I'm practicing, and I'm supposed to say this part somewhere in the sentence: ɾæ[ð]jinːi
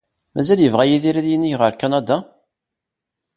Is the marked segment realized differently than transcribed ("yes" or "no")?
no